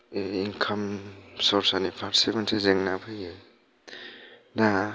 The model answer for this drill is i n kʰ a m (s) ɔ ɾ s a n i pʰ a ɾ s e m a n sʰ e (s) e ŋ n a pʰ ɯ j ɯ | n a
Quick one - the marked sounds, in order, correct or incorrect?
correct, incorrect: z

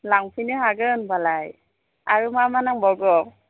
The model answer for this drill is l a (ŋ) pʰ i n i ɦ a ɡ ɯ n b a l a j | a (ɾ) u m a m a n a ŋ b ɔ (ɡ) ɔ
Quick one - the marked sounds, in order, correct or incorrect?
correct, incorrect: ɹ, correct

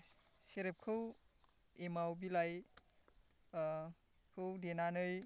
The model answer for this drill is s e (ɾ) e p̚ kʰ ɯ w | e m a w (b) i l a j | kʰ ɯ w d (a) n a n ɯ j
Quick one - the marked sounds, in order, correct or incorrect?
correct, correct, incorrect: e

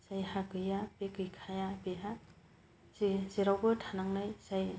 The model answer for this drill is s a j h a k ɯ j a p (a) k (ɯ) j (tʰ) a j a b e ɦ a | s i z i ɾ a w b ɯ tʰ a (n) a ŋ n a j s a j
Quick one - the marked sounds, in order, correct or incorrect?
incorrect: e, correct, incorrect: kʰ, correct

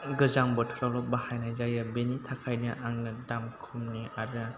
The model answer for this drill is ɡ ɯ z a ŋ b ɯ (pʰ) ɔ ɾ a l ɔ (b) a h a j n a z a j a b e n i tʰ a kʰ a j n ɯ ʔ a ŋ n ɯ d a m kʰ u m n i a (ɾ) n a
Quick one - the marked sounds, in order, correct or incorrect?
incorrect: tʰ, correct, correct

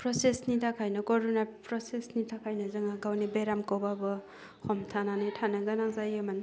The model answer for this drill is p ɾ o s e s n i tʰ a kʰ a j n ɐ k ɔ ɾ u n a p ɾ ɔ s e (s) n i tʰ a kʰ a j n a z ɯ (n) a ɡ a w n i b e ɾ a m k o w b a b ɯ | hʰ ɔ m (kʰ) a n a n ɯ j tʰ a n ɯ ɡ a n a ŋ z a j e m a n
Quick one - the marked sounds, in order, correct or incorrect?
correct, incorrect: ŋ, incorrect: tʰ

